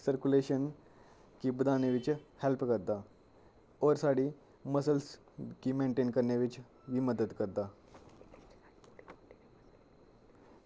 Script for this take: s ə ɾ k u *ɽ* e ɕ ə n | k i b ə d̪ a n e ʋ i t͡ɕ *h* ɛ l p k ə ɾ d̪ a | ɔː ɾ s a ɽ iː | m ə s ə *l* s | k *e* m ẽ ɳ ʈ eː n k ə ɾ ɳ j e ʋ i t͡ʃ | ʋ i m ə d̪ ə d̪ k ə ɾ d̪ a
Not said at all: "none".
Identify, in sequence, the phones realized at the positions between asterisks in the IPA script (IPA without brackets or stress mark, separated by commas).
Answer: l, h, l, i